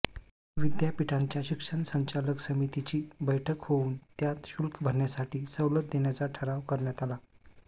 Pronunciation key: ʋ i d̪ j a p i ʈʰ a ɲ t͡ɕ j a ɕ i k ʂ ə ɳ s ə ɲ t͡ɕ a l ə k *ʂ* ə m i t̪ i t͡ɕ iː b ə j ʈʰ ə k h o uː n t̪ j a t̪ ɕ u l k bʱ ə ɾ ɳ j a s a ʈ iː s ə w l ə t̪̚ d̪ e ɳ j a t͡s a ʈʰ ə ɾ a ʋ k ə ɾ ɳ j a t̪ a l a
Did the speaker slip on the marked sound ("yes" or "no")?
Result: yes